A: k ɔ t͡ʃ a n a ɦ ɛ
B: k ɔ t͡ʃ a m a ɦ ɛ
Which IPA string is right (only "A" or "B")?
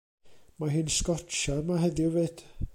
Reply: B